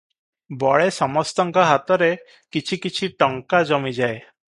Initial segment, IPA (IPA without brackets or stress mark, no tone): b